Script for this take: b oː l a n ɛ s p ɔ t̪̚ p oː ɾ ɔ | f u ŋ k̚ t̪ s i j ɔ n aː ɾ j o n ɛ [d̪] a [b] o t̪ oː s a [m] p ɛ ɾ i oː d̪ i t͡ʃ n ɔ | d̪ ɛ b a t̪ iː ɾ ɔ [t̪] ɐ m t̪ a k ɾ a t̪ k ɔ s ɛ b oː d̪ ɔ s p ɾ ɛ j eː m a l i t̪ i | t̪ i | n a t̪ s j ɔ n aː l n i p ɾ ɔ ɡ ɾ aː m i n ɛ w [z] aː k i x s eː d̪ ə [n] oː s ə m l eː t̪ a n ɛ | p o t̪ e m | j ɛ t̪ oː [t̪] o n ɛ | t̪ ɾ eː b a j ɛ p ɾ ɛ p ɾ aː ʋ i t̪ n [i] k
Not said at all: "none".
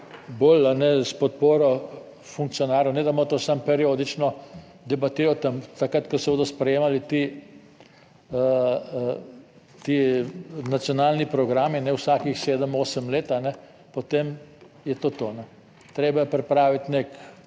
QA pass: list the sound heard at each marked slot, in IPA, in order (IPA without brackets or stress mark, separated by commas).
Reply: d̪, m, m, t̪, s, m, t̪, e